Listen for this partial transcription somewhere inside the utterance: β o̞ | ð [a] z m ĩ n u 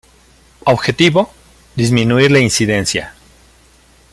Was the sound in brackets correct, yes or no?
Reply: no